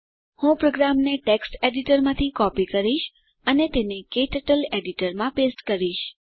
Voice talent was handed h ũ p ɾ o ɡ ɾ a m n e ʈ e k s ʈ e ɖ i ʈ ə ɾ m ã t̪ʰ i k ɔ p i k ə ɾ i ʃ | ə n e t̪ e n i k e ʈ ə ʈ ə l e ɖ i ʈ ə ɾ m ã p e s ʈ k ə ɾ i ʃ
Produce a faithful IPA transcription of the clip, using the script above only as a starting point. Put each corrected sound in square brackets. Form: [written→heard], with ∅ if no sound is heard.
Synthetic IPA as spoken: h ũ p ɾ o ɡ ɾ a m n e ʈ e k s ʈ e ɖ i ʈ ə ɾ m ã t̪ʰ i k ɔ p i k ə ɾ i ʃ | ə n e t̪ e n [i→e] k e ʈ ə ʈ ə l e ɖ i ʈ ə ɾ m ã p e s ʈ k ə ɾ i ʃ